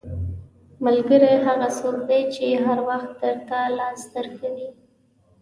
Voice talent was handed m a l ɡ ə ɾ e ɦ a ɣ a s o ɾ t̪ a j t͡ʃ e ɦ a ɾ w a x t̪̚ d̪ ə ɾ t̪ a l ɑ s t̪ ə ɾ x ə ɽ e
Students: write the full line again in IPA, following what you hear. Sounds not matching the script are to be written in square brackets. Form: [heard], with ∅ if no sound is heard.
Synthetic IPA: m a l ɡ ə ɾ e ɦ a ɣ a s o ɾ [d̪] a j t͡ʃ e ɦ a ɾ w a x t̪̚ d̪ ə ɾ t̪ a l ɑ s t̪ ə ɾ x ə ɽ [i]